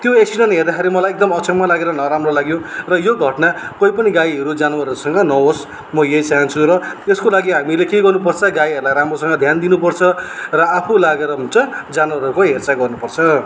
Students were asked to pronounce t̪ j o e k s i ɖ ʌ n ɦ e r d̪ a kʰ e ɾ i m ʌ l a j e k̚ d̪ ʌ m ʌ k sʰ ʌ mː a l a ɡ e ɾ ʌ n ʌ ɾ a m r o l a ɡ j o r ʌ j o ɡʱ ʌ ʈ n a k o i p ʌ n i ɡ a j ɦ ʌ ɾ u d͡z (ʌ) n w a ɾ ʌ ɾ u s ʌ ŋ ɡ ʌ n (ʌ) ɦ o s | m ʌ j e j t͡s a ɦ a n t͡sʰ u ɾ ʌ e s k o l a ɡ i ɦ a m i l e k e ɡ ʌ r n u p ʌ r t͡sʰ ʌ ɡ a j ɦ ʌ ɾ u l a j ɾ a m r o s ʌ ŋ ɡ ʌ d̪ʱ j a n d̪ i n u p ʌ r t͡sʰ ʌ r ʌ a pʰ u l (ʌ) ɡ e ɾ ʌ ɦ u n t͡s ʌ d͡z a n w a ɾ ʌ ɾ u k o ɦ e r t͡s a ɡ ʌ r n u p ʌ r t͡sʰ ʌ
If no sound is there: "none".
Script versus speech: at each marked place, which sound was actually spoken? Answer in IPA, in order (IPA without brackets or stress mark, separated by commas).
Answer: a, ʌ, a